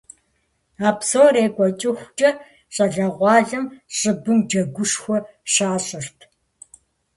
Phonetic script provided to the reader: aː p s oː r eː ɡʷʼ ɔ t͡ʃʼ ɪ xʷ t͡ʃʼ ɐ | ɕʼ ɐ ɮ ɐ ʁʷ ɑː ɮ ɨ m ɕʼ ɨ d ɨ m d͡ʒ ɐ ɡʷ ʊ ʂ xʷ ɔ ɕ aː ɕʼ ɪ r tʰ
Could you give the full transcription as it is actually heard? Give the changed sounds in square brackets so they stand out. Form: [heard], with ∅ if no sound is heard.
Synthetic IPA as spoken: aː p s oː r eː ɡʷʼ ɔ t͡ʃʼ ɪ xʷ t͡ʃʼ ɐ | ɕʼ ɐ ɮ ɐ ʁʷ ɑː ɮ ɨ m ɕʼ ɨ [b] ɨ m d͡ʒ ɐ ɡʷ ʊ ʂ xʷ ɔ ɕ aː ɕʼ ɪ r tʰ